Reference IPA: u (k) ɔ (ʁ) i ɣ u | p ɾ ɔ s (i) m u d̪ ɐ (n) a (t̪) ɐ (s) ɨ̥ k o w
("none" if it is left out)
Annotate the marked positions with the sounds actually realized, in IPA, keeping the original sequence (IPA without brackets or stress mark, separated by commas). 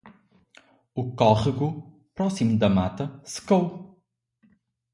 k, ʁ, i, m, t̪, s